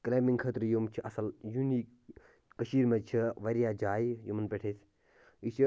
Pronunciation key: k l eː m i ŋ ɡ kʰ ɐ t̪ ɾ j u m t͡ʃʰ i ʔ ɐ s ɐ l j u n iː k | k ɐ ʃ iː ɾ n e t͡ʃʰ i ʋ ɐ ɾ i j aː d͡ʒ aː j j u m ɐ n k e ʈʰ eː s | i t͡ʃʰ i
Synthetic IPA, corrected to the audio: k l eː m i ŋ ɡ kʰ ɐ t̪ ɾ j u m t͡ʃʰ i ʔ ɐ s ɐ l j u n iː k | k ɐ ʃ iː ɾ m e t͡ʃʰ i ʋ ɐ ɾ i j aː d͡ʒ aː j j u m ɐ n p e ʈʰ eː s | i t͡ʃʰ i